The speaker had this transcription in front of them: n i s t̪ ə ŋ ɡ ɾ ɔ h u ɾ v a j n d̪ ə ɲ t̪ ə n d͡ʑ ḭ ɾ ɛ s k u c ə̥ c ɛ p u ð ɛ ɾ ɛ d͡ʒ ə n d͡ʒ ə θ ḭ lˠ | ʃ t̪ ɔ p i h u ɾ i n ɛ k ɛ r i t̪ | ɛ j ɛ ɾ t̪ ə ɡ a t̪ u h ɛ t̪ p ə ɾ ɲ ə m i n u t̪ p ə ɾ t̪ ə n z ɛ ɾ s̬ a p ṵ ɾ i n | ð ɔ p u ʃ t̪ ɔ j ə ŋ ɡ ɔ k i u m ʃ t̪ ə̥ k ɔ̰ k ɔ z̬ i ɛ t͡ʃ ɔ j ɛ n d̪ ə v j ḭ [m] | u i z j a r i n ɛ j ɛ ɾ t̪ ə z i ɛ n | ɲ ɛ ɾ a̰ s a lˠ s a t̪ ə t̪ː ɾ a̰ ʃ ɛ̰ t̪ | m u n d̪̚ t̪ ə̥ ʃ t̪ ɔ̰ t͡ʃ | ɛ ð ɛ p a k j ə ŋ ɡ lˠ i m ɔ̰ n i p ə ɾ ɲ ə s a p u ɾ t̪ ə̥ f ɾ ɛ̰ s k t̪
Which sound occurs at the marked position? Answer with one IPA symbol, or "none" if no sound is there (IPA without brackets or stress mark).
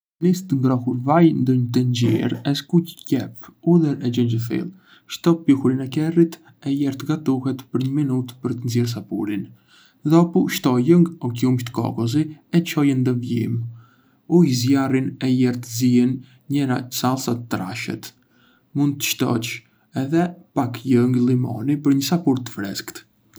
m